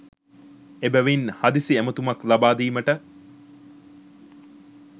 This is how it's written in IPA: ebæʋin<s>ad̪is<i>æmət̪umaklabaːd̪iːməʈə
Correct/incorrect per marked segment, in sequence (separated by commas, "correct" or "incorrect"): incorrect, correct